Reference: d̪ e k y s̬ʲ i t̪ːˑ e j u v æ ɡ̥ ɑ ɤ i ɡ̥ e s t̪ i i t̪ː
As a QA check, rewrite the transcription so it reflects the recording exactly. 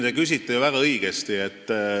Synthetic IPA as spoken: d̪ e k y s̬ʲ i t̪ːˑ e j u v æ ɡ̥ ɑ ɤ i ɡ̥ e s t̪ i e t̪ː